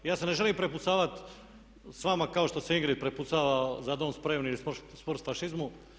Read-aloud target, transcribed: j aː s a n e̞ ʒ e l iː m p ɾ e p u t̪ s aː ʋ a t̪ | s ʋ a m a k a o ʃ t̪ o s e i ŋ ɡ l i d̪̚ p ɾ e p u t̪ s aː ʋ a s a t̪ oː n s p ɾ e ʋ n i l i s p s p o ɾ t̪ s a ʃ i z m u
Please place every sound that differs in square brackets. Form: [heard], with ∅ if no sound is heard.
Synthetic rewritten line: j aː s [e] n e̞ ʒ e l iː m p ɾ e p u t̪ s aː ʋ a t̪ | s ʋ a m a k a o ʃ t̪ o s e i ŋ ɡ [ɾ] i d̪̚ p ɾ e p u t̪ s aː ʋ a [z] a [d̪] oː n s p ɾ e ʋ n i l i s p s p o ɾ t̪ [f] a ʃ i z m u